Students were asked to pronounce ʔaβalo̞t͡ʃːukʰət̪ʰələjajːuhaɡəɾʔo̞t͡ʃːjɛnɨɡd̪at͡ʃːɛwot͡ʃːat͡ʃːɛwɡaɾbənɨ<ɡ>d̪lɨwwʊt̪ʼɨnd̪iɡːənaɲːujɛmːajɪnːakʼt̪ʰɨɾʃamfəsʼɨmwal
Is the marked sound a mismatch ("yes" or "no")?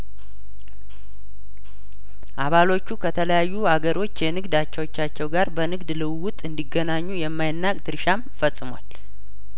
no